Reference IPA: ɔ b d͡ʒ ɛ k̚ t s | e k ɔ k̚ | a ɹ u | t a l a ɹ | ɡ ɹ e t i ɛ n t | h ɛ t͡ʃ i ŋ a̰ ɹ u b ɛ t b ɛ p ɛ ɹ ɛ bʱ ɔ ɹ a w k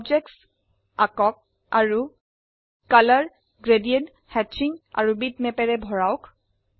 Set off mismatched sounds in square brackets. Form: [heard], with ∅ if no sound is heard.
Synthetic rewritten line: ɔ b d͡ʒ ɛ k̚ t s | [a] k ɔ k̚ | a ɹ u | [k] a l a ɹ | ɡ ɹ e [d] i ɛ n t | h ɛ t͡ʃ i ŋ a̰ ɹ u b [i] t [m] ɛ p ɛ ɹ ɛ bʱ ɔ ɹ a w k